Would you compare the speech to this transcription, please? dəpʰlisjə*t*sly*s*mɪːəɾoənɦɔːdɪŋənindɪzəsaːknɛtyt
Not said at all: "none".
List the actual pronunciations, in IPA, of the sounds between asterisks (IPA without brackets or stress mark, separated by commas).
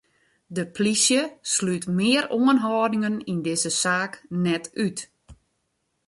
none, t